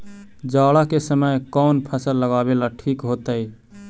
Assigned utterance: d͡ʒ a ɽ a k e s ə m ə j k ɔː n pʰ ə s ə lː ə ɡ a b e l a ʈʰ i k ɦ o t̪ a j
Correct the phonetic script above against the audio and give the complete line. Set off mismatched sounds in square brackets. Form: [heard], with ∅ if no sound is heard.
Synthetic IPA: d͡ʒ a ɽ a k e s ə m ə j k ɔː n pʰ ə s ə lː ə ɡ a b e l a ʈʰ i k ɦ o t̪ [ə] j